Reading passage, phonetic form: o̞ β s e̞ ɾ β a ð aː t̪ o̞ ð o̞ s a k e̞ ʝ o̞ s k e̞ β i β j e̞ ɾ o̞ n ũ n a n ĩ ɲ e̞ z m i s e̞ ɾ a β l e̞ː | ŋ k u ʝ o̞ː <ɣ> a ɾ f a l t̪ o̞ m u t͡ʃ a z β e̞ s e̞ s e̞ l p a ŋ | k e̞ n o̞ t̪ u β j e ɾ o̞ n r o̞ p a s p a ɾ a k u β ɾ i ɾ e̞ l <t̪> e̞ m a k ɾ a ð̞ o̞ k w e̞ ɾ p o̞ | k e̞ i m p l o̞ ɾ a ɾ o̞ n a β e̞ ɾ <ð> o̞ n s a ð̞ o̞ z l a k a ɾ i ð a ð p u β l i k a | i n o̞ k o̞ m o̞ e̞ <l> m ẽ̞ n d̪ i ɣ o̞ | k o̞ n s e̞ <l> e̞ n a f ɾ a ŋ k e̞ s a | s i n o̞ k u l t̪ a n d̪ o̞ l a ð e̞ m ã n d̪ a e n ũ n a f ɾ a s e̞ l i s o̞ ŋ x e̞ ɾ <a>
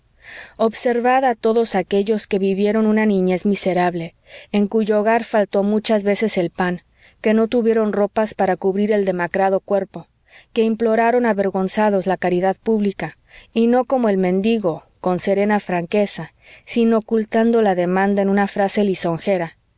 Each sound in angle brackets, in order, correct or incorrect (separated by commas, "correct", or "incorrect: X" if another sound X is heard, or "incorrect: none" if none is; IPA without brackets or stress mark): correct, incorrect: d̪, incorrect: ɣ, correct, incorrect: ɾ, correct